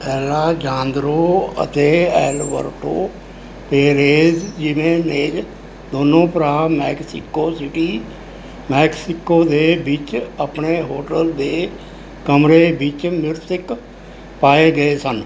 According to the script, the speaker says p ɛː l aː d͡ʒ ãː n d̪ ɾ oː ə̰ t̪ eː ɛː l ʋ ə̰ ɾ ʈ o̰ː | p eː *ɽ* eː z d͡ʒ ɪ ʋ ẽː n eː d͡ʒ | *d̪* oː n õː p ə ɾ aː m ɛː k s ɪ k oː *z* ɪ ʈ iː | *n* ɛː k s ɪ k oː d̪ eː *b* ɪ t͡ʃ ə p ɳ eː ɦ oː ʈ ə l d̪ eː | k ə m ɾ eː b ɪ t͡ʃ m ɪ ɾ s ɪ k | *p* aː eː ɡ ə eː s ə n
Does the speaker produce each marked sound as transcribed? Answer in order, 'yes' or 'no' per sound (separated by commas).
no, yes, no, no, yes, yes